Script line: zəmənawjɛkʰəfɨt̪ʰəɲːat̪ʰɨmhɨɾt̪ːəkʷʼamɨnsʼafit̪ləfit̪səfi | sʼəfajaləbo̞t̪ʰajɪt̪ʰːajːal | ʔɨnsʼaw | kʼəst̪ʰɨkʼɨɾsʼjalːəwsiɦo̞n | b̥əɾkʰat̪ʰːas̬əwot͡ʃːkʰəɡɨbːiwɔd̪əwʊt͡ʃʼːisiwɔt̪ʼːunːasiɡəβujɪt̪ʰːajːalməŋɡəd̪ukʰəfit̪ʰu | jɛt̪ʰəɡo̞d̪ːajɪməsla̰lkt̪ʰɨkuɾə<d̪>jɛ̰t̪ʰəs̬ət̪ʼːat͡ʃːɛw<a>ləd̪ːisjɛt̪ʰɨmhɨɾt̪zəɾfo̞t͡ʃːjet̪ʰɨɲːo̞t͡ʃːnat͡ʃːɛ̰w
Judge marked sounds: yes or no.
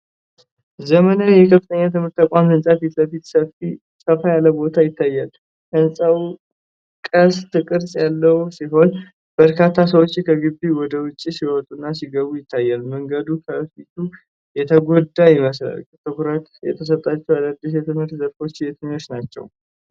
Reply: no, yes

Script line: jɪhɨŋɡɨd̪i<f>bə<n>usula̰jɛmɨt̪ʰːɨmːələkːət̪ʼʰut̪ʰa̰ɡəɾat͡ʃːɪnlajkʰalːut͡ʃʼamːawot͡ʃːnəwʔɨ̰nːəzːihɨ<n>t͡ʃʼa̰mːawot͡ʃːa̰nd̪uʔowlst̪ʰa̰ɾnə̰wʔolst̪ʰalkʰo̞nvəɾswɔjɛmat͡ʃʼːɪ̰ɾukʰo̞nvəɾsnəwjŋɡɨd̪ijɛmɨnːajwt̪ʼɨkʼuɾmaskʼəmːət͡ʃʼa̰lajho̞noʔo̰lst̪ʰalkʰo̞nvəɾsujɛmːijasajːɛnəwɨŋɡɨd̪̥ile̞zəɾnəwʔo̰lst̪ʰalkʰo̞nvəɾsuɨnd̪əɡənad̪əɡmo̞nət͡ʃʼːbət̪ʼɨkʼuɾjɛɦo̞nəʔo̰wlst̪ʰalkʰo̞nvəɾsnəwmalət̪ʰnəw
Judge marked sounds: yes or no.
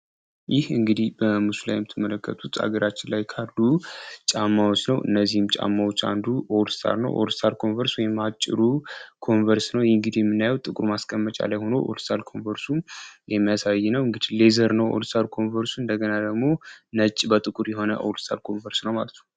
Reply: no, no, no

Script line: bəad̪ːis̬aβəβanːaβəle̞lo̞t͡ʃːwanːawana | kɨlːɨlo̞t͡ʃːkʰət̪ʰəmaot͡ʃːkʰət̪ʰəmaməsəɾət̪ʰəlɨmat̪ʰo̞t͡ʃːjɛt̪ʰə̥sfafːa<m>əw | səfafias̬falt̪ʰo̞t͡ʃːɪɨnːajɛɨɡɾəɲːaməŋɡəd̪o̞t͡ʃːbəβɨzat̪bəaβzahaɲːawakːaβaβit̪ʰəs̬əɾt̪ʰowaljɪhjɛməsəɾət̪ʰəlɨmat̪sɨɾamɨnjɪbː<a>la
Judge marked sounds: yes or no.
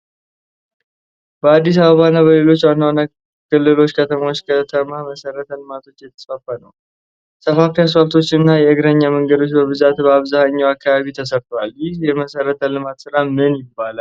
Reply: no, yes

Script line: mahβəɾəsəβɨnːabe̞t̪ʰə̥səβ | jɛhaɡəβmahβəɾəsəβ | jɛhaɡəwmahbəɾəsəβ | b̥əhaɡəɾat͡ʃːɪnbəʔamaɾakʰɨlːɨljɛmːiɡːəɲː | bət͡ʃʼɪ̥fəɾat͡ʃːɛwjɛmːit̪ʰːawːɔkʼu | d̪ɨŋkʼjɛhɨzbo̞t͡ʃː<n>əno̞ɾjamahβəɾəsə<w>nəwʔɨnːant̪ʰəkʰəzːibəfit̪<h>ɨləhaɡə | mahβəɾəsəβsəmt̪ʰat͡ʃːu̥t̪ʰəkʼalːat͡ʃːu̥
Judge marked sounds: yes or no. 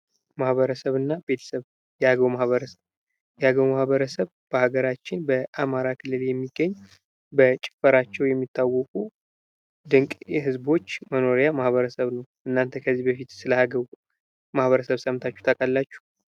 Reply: no, no, no

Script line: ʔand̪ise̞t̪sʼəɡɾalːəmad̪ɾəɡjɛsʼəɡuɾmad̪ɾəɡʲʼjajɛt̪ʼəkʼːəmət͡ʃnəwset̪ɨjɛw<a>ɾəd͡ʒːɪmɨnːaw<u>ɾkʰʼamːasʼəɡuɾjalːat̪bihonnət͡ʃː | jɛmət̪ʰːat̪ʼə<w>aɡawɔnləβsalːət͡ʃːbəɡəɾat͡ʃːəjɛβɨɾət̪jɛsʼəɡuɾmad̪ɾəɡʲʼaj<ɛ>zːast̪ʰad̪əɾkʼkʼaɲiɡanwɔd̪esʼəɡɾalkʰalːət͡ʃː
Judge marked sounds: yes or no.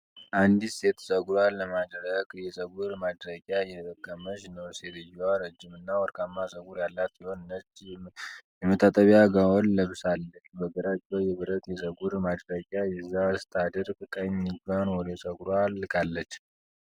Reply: yes, no, no, yes

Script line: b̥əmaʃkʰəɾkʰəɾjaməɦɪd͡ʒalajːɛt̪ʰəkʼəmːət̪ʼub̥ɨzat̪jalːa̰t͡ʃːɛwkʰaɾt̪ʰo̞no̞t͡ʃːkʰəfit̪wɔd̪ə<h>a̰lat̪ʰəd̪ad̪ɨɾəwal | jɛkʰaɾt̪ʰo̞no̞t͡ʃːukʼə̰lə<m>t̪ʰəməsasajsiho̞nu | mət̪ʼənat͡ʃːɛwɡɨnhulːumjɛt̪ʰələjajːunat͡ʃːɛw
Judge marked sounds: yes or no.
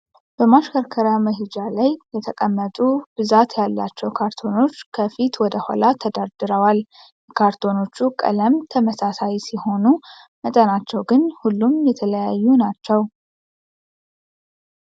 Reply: yes, yes

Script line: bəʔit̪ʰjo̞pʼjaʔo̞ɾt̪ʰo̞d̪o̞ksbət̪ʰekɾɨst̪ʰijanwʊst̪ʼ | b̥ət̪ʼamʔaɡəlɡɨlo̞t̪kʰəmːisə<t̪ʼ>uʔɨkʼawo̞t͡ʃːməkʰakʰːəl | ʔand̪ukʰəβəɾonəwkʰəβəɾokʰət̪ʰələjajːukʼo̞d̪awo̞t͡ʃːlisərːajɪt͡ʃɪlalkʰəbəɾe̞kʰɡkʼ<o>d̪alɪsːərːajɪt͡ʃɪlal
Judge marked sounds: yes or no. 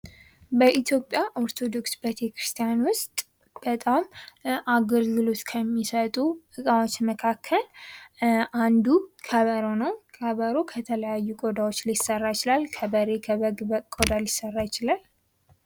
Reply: yes, yes

